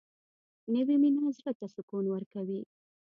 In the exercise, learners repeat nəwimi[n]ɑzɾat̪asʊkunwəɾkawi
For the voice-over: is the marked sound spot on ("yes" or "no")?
yes